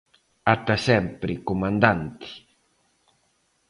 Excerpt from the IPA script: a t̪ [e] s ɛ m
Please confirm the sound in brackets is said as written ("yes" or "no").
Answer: no